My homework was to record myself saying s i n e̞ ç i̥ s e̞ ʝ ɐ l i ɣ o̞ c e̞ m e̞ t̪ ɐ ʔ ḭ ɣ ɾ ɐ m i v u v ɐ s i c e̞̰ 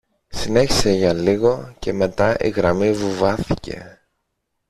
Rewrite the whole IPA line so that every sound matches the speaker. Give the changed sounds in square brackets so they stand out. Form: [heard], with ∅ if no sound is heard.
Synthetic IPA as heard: s i n e̞ ç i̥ s e̞ ʝ ɐ l i ɣ o̞ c e̞ m e̞ t̪ ɐ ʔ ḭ ɣ ɾ ɐ m i v u v ɐ [θ] i c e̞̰